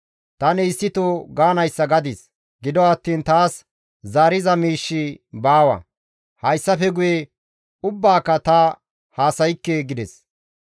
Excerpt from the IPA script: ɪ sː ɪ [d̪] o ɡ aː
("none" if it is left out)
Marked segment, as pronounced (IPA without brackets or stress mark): t̪